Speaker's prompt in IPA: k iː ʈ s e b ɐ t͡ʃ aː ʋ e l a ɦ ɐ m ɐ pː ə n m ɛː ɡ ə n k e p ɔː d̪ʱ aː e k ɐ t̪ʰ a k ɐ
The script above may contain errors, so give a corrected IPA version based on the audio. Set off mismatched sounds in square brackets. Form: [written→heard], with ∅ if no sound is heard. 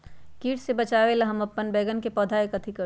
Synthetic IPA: k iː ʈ s e b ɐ t͡ʃ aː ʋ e l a ɦ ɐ m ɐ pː ə n [m→b] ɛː ɡ ə n k e p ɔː d̪ʱ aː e k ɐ t̪ʰ [a→i] k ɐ